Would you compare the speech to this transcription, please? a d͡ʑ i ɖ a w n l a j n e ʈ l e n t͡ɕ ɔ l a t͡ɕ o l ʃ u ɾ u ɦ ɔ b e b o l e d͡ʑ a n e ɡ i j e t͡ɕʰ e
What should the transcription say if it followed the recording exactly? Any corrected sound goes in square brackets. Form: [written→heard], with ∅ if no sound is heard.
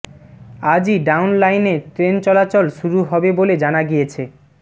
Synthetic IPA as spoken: a d͡ʑ i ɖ a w n l a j n e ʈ [l→ɾ] e n t͡ɕ ɔ l a t͡ɕ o l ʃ u ɾ u ɦ ɔ b e b o l e d͡ʑ a n [e→a] ɡ i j e t͡ɕʰ e

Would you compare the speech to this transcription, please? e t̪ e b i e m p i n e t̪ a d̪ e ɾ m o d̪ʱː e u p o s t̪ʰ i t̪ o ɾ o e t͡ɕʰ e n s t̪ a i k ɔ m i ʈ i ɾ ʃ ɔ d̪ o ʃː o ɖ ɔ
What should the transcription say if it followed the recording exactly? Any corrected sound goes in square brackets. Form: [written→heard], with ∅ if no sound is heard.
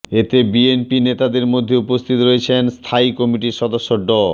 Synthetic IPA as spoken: e t̪ e b i e [m→n] p i n e t̪ a d̪ e ɾ m o d̪ʱː e u p o s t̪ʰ i t̪ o ɾ o e t͡ɕʰ e n s [t̪→t̪ʰ] a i k ɔ m i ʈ i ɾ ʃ ɔ d̪ o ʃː o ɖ ɔ

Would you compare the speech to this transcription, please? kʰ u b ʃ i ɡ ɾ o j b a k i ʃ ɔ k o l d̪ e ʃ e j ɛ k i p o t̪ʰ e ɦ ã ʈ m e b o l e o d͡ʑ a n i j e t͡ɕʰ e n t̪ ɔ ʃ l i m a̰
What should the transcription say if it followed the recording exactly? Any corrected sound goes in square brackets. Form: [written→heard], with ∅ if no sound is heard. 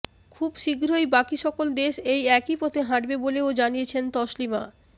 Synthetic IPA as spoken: kʰ u b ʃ i ɡ ɾ o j b a k i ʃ ɔ k o l d̪ e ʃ e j ɛ k i p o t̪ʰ e ɦ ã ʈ [m→b] e b o l e o d͡ʑ a n i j e t͡ɕʰ e n t̪ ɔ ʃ l i m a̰

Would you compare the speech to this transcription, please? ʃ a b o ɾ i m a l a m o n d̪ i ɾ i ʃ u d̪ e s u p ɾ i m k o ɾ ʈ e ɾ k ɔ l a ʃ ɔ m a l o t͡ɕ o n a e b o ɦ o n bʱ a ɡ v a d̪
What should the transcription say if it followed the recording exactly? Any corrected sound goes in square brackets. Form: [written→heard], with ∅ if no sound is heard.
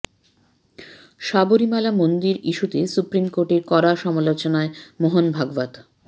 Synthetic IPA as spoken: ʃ a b o ɾ i m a l a m o n d̪ i ɾ i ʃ u [d̪→t̪] e s u p ɾ i m k o ɾ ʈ e ɾ k ɔ [l→ɾ] a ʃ ɔ m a l o t͡ɕ o n a e [b→m] o ɦ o n bʱ a ɡ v a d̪

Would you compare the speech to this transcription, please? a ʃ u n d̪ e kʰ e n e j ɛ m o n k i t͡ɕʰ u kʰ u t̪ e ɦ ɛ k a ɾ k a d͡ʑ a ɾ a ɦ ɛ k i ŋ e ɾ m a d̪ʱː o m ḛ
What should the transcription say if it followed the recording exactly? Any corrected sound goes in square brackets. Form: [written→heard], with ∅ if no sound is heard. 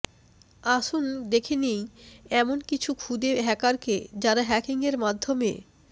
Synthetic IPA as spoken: a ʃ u n d̪ e kʰ e n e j ɛ m o n k i t͡ɕʰ u kʰ u [t̪→d̪] e ɦ ɛ k a ɾ k [a→e] d͡ʑ a ɾ a ɦ ɛ k i ŋ e ɾ m a d̪ʱː o m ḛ

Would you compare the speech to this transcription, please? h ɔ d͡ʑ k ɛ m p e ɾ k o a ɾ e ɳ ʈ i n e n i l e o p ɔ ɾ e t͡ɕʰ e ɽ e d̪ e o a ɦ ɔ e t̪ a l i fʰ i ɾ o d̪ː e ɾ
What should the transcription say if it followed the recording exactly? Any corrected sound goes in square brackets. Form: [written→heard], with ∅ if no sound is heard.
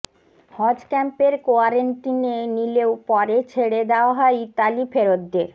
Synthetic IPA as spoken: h ɔ d͡ʑ k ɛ m p e ɾ k o a ɾ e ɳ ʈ i n e n i l e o p ɔ ɾ e t͡ɕʰ e ɽ e d̪ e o a ɦ ɔ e t̪ a l i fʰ [i→e] ɾ o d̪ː e ɾ

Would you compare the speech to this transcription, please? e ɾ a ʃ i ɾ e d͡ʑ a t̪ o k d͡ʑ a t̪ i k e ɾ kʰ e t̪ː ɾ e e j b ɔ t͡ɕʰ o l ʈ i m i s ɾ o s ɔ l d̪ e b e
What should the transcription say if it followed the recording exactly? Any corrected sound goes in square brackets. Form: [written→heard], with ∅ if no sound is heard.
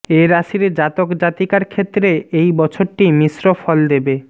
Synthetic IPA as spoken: e ɾ a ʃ i ɾ e d͡ʑ a t̪ o k d͡ʑ a t̪ i k [e→a] ɾ kʰ e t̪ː ɾ e e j b ɔ t͡ɕʰ o [l→ɾ] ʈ i m i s ɾ o [s→f] ɔ l d̪ e b e

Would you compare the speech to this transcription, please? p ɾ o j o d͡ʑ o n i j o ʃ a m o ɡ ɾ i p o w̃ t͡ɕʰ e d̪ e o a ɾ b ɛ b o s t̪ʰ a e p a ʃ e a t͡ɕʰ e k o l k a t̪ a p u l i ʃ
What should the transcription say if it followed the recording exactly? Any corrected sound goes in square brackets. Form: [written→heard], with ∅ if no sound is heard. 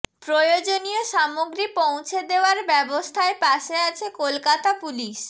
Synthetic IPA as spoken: p ɾ o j o d͡ʑ o n i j o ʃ a m o ɡ ɾ i p o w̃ t͡ɕʰ e d̪ e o a ɾ b ɛ b o s t̪ʰ a e p a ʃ e a t͡ɕʰ e k o l k a t̪ a p u l i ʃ

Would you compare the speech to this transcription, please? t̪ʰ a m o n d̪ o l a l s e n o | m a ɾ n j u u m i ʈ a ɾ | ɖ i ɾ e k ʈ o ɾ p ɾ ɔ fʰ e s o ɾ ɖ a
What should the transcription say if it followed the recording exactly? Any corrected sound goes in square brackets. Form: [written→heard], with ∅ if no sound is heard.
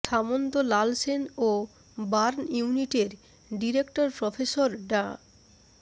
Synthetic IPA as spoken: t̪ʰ a m o n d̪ o l a l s e n o | [m→b] a ɾ n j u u [m→n] i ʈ [a→e] ɾ | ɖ i ɾ e k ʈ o ɾ p ɾ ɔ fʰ e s o ɾ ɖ a

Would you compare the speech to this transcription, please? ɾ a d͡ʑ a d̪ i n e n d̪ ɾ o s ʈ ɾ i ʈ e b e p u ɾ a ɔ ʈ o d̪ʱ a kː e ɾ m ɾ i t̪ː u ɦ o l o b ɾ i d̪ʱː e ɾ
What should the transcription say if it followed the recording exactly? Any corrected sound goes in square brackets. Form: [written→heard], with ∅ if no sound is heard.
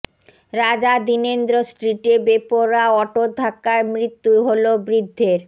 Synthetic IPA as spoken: ɾ a d͡ʑ a d̪ i n e n d̪ ɾ o s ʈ ɾ i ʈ e b e p [u→o] ɾ a ɔ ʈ o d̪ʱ a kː [e→a] ɾ m ɾ i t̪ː u ɦ o l o b ɾ i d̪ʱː e ɾ

